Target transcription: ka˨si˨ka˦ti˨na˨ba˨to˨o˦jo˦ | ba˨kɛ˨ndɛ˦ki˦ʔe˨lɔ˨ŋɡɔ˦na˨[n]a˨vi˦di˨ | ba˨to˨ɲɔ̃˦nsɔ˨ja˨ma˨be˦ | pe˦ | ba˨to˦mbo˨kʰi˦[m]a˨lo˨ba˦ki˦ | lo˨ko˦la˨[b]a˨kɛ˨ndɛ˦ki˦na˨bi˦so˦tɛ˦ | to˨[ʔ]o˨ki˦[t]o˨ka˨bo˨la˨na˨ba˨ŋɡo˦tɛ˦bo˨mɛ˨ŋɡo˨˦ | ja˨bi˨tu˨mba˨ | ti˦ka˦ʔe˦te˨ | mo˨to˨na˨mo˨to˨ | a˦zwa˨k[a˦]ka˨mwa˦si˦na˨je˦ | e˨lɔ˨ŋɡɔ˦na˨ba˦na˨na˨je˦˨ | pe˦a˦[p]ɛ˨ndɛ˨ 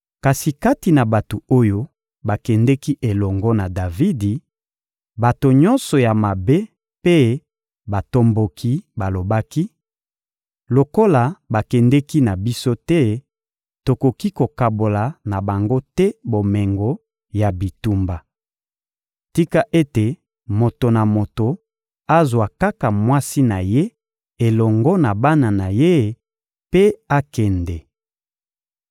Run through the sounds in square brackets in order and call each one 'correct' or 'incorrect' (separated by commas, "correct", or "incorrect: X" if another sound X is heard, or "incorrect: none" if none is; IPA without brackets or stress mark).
incorrect: d, incorrect: b, correct, incorrect: k, incorrect: k, correct, incorrect: k